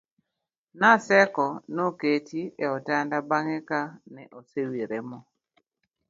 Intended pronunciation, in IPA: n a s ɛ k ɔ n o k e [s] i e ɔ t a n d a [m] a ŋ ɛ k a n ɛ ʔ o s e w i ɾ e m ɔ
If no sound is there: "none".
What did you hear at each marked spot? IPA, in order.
t, b

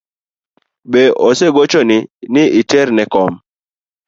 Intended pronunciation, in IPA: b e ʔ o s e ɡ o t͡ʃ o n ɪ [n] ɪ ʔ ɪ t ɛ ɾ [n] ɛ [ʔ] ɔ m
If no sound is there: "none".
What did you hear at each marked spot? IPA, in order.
n, n, k

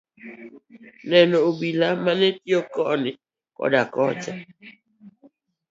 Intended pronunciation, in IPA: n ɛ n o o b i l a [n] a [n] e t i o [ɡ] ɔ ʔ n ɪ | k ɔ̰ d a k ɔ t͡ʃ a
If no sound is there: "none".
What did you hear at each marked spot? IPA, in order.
m, n, k

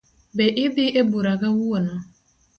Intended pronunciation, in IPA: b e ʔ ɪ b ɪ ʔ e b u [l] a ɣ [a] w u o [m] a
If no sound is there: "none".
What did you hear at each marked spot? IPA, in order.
ɾ, a, n

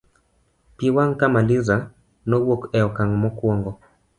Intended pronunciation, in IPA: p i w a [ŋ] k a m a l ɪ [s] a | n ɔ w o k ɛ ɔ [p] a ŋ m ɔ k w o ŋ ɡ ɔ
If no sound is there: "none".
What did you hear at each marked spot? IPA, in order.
ŋ, z, k

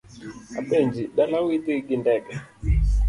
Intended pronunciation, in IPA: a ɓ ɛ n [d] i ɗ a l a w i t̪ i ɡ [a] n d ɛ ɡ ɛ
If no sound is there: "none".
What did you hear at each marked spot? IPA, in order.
d͡ʒ, i

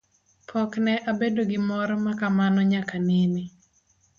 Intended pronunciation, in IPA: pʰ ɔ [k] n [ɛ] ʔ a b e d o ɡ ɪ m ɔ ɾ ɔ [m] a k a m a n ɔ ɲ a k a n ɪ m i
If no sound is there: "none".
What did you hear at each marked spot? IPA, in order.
k, ɛ, m

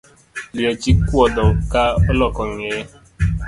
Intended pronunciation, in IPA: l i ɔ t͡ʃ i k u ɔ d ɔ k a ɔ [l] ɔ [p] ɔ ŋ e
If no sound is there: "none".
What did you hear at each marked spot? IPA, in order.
l, k

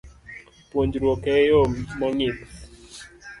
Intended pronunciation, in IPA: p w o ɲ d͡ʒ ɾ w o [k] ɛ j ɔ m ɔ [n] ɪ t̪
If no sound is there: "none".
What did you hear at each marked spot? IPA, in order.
k, ŋ

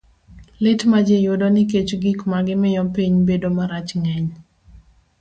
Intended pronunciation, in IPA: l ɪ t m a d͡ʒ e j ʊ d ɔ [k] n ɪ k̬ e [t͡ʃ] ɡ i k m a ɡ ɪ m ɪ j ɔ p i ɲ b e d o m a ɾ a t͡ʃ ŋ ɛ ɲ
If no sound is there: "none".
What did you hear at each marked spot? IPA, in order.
none, t͡ʃ

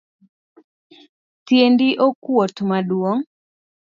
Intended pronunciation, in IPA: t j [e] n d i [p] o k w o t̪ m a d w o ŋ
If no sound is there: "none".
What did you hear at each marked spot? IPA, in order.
e, ʔ

